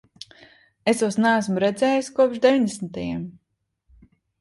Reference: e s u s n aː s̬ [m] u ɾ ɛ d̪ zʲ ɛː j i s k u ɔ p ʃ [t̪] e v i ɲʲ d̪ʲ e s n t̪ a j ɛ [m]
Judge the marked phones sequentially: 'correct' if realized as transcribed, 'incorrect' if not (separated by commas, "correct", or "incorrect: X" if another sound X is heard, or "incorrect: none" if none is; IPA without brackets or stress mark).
correct, incorrect: d̪, correct